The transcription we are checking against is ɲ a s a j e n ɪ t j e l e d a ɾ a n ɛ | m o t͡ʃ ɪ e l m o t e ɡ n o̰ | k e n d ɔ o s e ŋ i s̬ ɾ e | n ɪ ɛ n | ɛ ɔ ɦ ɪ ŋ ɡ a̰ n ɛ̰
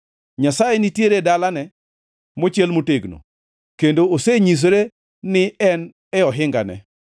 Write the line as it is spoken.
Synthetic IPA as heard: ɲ a s a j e n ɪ t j e ɾ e d a l a n ɛ | m o t͡ʃ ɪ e l m o t e ɡ n o̰ | k e n d o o s e ɲ i s̬ ɾ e | n ɪ ɛ n | ɛ ɔ ɦ ɪ ŋ ɡ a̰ n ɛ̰